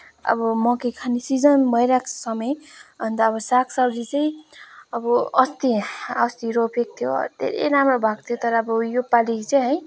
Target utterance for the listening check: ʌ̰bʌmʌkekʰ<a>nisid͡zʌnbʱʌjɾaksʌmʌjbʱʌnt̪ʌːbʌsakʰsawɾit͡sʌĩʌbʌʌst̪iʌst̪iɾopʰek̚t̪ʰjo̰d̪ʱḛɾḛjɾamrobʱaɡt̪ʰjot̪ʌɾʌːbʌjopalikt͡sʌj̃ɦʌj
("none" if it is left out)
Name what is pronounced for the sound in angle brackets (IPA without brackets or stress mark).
a